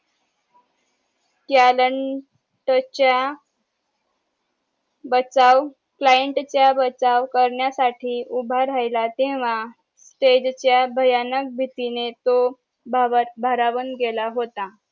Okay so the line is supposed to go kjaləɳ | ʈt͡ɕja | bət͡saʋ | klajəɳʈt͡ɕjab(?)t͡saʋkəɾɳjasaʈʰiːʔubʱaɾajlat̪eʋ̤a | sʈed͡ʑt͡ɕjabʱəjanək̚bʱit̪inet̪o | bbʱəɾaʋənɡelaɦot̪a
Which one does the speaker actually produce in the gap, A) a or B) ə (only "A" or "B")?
B